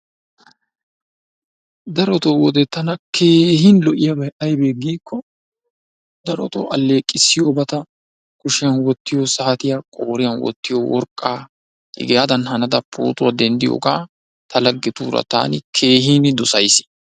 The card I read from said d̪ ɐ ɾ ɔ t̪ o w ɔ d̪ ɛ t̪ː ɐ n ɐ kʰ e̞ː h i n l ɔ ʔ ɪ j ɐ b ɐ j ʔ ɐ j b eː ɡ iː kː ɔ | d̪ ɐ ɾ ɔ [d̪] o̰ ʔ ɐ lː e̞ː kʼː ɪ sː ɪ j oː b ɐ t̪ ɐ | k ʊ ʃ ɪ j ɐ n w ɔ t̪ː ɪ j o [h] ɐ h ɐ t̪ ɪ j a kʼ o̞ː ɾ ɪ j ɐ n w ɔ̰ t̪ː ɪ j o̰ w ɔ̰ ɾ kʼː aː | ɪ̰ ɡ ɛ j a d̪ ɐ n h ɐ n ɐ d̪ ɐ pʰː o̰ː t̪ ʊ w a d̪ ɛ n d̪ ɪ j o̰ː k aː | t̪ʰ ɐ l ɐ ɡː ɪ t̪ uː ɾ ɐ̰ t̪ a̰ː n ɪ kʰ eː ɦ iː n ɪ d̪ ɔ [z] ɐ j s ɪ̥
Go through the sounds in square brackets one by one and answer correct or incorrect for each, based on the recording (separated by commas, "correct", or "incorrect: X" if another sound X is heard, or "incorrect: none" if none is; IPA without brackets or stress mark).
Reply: incorrect: t̪, incorrect: s, incorrect: s